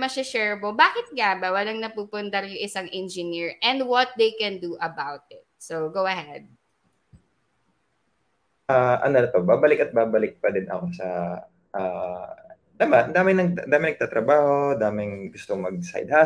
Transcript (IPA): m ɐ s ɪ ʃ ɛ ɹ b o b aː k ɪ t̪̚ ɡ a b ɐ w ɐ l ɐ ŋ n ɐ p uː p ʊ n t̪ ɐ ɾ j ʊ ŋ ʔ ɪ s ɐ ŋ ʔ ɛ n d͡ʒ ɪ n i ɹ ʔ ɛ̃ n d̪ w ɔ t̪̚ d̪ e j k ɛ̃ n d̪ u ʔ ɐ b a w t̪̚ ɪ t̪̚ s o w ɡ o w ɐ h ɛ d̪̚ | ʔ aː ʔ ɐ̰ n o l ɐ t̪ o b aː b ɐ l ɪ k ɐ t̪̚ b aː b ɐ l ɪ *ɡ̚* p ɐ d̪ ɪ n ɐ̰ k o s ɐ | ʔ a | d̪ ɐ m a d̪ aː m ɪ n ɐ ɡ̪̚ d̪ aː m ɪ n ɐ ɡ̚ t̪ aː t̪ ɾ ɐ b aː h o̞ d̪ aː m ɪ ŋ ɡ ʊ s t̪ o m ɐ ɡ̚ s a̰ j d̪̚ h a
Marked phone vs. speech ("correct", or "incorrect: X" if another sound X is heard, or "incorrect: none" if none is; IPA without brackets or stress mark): incorrect: k̚